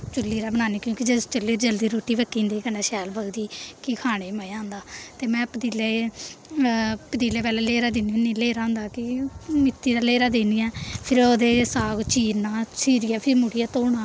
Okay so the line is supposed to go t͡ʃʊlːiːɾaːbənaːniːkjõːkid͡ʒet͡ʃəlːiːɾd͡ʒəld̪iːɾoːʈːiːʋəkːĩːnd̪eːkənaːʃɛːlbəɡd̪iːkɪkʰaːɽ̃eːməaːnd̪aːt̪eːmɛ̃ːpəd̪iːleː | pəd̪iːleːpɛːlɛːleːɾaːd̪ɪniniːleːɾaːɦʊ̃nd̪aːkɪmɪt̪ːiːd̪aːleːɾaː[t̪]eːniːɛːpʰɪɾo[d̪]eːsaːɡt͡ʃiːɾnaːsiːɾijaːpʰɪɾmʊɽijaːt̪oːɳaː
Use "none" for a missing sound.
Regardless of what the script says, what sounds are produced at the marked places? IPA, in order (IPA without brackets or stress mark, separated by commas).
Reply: d̪, d̪